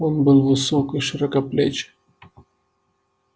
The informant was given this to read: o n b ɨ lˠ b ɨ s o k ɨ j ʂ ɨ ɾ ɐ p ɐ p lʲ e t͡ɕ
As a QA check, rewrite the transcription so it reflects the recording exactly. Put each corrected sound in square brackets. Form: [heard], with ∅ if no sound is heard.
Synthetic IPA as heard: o n b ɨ lˠ [v] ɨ s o k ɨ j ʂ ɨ ɾ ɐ [k] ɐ p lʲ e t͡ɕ